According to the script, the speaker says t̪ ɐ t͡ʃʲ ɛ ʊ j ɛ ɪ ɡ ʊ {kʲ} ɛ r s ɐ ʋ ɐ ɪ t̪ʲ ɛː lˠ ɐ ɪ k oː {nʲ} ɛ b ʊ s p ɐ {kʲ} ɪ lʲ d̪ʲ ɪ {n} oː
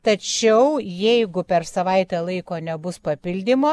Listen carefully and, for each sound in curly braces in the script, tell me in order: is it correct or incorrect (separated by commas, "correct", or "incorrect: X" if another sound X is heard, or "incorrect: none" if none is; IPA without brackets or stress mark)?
incorrect: pʲ, correct, incorrect: pʲ, incorrect: m